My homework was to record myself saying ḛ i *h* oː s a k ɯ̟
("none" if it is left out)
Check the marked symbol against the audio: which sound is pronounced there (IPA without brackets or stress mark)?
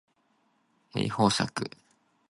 h